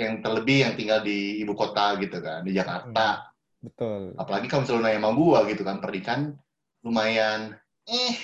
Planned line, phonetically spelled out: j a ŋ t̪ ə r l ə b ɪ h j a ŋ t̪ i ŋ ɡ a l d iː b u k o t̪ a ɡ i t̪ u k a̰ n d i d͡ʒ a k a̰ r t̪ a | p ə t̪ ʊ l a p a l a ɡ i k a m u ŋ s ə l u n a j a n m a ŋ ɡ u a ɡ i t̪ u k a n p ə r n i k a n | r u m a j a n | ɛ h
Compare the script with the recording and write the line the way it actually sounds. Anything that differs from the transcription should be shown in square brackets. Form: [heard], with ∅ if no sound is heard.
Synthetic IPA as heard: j a ŋ t̪ ə r l ə b ɪ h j a ŋ t̪ i ŋ ɡ a l d iː b u k o t̪ a ɡ i t̪ u k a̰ n d i d͡ʒ a k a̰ r t̪ a | [b] ə t̪ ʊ l a p a l a ɡ i k a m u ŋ s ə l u n a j a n m a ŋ ɡ u a ɡ i t̪ u k a n p ə r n i k a n | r u m a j a n | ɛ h